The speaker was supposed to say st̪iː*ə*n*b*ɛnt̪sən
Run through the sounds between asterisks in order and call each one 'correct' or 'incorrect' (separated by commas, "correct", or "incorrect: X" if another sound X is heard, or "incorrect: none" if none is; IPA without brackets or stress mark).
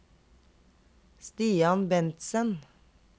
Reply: incorrect: ɑ, correct